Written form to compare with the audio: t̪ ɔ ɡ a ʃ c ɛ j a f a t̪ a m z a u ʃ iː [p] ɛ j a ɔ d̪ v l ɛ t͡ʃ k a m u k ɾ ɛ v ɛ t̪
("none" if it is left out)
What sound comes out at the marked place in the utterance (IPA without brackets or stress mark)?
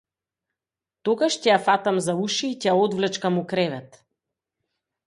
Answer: c